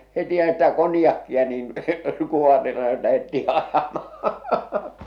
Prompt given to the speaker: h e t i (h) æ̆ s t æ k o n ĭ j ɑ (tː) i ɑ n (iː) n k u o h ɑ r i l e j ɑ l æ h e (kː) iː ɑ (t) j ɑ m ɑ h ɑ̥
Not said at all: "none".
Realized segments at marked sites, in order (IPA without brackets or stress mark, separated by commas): h, kː, iː, tː, none